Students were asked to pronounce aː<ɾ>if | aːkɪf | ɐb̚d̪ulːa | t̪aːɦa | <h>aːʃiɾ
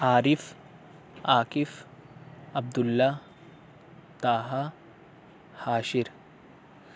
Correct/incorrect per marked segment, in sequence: correct, correct

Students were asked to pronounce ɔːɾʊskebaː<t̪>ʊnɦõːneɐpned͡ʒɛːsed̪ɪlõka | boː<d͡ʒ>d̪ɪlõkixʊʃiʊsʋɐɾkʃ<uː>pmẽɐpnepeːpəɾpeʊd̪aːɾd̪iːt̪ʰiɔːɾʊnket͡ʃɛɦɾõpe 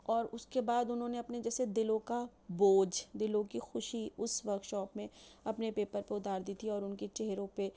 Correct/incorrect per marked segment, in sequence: incorrect, correct, incorrect

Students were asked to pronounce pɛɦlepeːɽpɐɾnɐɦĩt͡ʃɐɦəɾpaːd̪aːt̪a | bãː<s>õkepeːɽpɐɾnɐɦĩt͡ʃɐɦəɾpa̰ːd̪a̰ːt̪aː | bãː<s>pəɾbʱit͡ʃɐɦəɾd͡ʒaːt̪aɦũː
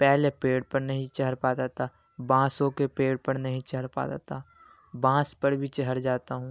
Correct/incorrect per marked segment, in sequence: correct, correct

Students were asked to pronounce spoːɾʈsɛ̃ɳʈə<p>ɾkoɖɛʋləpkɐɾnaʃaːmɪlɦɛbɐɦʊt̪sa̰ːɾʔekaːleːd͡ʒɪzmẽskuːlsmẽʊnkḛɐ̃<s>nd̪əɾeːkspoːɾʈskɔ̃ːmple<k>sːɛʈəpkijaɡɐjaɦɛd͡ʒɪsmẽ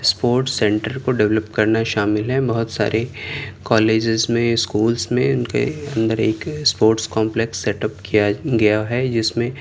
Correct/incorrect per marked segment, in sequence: incorrect, incorrect, correct

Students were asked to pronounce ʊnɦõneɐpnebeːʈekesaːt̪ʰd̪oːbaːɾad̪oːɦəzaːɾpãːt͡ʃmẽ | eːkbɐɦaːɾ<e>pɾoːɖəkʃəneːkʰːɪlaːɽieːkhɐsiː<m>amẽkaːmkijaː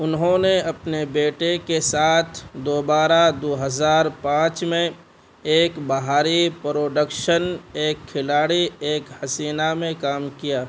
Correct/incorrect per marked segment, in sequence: incorrect, incorrect

